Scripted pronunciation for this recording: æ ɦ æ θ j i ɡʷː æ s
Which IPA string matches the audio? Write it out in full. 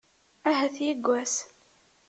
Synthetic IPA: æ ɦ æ θ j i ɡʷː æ s